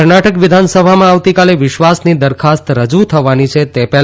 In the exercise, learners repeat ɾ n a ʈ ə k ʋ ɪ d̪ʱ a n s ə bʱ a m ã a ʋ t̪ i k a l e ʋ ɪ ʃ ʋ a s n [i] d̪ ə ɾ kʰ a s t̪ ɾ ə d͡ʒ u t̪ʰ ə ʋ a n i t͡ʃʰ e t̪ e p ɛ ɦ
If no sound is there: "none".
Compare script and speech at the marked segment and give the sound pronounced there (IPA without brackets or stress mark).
i